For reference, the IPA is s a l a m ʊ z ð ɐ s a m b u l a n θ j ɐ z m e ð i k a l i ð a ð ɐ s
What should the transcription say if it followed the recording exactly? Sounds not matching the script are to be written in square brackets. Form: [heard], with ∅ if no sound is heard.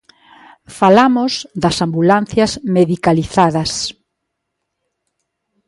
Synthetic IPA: [f] a l a m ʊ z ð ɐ s a m b u l a n θ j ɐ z m e ð i k a l i [θ] a ð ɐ s